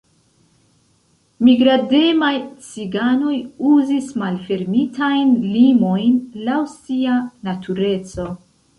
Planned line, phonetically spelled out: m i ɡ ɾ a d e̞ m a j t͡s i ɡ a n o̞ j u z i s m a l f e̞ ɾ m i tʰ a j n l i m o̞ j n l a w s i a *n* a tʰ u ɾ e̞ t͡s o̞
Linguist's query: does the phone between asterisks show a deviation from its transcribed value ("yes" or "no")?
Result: no